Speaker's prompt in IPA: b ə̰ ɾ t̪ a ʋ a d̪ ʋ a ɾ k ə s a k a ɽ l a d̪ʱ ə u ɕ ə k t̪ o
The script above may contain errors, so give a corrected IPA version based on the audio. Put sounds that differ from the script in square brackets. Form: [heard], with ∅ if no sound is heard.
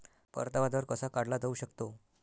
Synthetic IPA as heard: [p] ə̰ ɾ t̪ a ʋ a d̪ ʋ [ə] ɾ k ə s a k a ɽ l a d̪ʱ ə u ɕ ə k t̪ o